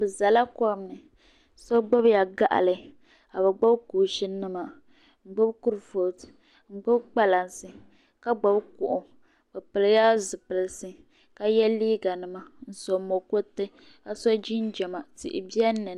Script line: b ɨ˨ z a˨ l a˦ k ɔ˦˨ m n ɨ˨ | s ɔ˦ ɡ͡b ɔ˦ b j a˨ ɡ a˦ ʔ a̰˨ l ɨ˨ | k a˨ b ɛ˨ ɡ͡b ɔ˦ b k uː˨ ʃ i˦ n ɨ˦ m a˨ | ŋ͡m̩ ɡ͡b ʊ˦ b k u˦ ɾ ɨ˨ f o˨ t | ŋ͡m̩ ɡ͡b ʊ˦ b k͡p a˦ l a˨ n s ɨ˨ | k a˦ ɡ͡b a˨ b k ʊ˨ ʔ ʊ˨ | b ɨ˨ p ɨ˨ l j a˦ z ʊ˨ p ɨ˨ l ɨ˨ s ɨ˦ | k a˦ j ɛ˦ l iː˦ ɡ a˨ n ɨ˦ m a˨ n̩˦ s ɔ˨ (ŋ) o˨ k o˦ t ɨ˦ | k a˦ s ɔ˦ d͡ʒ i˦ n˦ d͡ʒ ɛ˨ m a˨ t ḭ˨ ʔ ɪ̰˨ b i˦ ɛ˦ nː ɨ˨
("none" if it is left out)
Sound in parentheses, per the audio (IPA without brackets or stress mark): m